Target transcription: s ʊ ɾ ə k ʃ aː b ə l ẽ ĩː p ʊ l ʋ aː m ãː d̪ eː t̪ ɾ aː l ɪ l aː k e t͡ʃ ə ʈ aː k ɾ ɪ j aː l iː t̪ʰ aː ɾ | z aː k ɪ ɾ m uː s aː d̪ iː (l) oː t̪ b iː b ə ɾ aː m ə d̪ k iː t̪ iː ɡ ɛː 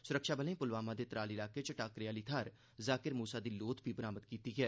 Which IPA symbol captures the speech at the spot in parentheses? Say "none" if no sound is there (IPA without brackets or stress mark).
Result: l